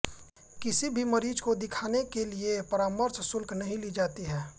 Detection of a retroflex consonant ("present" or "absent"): absent